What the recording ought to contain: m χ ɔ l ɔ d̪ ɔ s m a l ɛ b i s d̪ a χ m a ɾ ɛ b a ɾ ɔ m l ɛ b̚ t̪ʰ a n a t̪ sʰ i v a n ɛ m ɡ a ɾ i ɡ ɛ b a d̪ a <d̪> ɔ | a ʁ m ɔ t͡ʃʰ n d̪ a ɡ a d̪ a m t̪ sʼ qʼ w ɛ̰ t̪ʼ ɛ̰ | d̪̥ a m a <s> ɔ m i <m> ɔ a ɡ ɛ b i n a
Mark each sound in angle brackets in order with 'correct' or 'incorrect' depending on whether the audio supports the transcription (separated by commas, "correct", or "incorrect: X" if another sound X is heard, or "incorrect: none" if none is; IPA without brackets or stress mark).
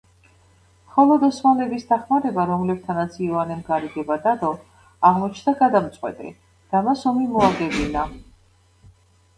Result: correct, correct, correct